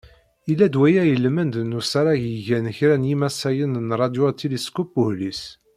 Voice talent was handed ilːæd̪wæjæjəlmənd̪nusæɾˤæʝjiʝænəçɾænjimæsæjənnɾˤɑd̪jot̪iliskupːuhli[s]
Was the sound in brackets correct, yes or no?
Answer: yes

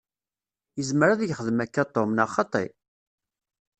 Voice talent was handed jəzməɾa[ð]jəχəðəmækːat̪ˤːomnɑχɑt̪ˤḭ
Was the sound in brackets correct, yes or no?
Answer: yes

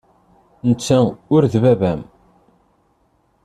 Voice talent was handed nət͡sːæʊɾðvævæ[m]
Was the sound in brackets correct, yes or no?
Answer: yes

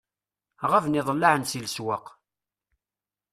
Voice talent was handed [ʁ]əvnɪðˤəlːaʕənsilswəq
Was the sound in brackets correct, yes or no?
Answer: yes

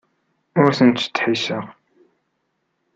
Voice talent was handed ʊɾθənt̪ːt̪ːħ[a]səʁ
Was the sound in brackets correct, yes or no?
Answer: no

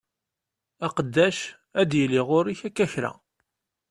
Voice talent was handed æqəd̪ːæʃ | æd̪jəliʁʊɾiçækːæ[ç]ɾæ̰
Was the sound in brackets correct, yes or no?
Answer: yes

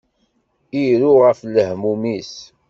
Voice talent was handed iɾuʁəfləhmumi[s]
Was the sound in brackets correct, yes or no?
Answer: yes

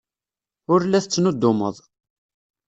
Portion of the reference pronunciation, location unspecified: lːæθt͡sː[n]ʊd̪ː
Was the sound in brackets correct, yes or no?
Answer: yes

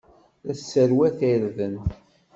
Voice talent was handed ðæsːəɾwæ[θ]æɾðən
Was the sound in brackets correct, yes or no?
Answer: yes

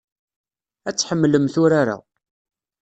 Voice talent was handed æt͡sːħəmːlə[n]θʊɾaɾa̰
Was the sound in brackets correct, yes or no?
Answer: no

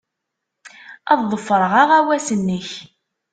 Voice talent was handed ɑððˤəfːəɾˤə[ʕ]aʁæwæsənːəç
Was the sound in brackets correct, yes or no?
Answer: no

